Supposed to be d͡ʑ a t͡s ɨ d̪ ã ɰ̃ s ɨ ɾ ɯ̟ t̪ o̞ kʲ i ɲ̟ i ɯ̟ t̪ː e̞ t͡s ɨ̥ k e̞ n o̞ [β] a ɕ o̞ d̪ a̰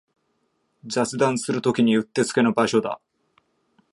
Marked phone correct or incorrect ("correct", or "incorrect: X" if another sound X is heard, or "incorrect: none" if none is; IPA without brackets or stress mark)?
incorrect: b